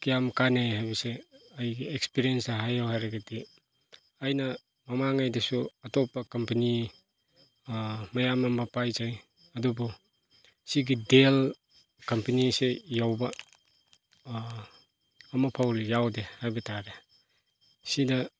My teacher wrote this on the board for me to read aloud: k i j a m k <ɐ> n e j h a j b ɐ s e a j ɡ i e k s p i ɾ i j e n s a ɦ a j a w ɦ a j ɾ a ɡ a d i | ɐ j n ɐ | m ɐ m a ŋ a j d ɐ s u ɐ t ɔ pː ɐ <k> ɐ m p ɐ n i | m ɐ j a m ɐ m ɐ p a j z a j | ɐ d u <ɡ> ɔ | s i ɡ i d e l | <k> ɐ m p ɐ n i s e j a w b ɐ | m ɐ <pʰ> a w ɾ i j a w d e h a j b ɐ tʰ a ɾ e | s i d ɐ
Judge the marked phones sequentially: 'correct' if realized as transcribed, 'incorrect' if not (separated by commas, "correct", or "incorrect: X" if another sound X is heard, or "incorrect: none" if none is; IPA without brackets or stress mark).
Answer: incorrect: a, correct, incorrect: b, correct, correct